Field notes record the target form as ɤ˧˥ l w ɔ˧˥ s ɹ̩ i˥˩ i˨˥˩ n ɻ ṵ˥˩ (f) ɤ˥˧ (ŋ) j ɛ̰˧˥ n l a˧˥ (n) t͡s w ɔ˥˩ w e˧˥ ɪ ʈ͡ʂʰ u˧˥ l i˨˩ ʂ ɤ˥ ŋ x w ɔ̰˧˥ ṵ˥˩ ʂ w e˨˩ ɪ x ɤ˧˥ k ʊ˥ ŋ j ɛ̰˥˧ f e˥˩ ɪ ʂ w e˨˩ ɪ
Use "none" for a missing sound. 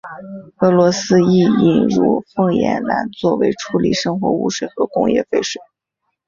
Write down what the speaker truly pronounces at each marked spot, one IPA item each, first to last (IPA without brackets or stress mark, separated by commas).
f, ŋ, n